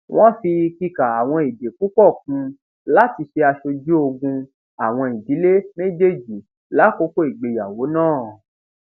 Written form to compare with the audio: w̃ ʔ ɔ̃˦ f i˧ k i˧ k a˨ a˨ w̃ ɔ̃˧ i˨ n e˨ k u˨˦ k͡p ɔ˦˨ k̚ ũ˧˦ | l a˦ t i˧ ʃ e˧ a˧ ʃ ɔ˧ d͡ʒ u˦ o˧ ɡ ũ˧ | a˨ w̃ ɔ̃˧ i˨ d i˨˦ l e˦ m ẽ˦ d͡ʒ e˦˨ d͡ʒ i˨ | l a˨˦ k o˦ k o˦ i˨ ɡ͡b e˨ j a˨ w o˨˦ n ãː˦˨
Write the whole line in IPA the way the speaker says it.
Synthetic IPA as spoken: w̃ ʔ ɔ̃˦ f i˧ k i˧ k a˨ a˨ w̃ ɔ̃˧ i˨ d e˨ k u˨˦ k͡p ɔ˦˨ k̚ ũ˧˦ | l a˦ t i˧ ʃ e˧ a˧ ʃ o˧ d͡ʒ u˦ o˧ ɡ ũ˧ | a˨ w̃ ɔ̃˧ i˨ d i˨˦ l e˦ m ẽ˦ d͡ʒ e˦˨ d͡ʒ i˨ | l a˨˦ k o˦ k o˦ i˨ ɡ͡b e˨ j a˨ w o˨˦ n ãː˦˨